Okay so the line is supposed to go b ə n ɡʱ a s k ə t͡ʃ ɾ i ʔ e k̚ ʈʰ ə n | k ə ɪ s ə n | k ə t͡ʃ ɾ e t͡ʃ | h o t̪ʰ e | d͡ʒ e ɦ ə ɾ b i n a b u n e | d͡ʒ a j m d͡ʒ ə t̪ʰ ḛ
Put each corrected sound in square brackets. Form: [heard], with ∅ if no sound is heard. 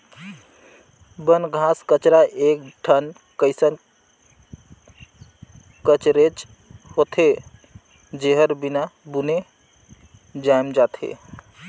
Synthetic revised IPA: b ə n ɡʱ a s k ə t͡ʃ ɾ [a] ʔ e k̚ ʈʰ ə n | k ə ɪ s ə n | k ə t͡ʃ ɾ e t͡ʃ | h o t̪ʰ e | d͡ʒ e ɦ ə ɾ b i n a b u n e | d͡ʒ a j m d͡ʒ [a] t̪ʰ ḛ